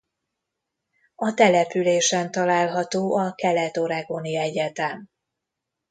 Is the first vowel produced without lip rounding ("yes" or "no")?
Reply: no